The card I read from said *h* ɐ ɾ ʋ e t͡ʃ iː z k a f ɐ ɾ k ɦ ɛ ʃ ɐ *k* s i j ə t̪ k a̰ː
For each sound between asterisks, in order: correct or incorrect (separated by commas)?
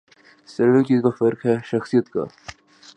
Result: incorrect, incorrect